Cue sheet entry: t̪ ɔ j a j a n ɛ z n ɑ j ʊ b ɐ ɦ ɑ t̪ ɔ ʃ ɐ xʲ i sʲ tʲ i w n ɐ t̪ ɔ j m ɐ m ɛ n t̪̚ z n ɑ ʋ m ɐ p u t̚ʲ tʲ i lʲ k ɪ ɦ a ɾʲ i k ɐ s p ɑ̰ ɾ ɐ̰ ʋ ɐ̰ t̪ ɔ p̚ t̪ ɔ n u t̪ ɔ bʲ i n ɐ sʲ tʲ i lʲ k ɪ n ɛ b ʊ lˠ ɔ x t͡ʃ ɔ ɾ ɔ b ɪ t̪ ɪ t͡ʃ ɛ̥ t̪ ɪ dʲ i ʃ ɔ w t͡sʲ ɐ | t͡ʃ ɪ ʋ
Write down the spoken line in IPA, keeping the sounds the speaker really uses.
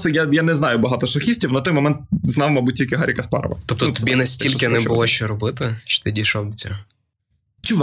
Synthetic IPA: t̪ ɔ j a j a n ɛ z n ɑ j ʊ b ɐ ɦ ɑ t̪ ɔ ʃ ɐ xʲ i sʲ tʲ i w n ɐ t̪ ɔ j m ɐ m ɛ n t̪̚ z n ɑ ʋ m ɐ b u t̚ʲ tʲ i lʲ k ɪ ɦ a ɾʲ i k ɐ s p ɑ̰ ɾ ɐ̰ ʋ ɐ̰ t̪ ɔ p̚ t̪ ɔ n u t̪ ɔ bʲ i n ɐ sʲ tʲ i lʲ k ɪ n ɛ b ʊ lˠ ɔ ʃ t͡ʃ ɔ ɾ ɔ b ɪ t̪ ɪ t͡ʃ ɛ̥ t̪ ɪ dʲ i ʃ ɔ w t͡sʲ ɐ | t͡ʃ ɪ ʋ